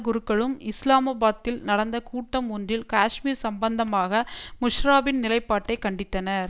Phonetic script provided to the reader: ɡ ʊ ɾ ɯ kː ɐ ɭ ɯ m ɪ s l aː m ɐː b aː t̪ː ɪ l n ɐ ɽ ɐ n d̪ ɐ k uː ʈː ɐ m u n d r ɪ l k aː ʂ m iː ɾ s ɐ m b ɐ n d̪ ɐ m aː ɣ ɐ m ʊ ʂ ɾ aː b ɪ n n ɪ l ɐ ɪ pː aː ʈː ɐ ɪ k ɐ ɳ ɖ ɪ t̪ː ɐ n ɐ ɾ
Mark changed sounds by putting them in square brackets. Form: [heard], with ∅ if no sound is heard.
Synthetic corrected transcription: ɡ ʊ ɾ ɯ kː ɐ ɭ ɯ m ɪ s l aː m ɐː b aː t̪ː ɪ l n ɐ ɽ ɐ n d̪ ɐ k uː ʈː ɐ m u n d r ɪ l k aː ʂ m iː ɾ s ɐ m b ɐ n d̪ ɐ m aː ɣ ɐ m ʊ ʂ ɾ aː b ɪ n n ɪ l ɐ ɪ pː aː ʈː ɐ ɪ k ɐ ɳ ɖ ɪ t̪ː ɐ n ɐ ɾ